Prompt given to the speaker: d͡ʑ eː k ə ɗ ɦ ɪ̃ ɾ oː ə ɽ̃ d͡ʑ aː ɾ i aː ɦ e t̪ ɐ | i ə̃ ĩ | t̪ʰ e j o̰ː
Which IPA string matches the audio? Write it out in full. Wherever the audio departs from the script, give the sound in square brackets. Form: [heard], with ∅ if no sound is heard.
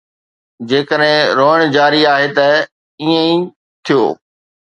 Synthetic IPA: d͡ʑ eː k ə ɗ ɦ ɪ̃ ɾ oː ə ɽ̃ d͡ʑ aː ɾ i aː ɦ e t̪ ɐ | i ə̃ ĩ | t̪ʰ [i] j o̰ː